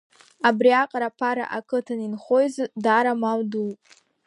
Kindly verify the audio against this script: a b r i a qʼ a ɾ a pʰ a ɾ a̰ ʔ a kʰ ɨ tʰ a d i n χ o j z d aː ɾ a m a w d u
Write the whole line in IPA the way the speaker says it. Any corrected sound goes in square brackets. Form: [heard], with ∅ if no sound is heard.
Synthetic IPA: a b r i a qʼ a ɾ a pʰ a ɾ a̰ ʔ a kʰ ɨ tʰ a [n] i n χ o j z d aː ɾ a m a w d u

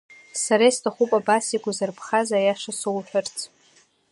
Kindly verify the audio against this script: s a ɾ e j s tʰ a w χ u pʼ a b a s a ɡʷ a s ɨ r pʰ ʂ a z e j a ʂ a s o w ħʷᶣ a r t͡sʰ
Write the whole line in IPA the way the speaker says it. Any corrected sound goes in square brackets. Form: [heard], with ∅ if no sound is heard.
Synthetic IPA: s a ɾ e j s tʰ a [∅] χ u pʼ a b a s [i] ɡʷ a [z] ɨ r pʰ [χ] a z [a] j a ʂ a s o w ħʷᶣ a r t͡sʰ

